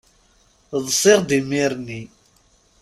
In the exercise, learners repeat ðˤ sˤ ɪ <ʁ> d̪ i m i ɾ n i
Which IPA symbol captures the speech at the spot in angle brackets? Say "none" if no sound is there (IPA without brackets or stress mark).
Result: ʁ